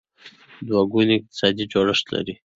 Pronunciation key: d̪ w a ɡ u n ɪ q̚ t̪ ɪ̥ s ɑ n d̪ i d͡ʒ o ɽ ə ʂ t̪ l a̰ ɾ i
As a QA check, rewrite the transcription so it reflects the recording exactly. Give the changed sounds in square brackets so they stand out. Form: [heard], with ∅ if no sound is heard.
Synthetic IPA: d̪ w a ɡ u n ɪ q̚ t̪ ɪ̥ s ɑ [∅] d̪ i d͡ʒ o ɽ ə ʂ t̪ l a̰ ɾ i